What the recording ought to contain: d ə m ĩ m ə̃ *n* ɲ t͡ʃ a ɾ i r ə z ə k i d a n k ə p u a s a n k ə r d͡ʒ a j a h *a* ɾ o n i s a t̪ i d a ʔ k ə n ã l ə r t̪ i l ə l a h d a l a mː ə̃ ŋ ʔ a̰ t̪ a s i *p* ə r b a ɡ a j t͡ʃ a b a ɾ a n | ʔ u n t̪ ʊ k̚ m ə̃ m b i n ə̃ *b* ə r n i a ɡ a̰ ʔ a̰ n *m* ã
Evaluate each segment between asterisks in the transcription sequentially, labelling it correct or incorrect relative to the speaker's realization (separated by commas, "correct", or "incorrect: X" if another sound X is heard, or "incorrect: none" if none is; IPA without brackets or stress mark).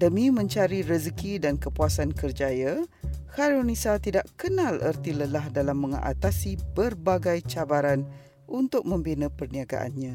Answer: incorrect: none, correct, incorrect: b, incorrect: p, incorrect: ɲ